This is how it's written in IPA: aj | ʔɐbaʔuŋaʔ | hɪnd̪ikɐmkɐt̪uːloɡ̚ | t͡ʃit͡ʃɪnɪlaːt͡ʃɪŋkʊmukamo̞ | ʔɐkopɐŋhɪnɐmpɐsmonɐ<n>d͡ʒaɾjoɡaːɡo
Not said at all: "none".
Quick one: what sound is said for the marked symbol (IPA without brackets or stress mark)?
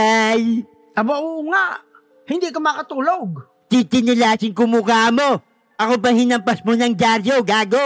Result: ŋ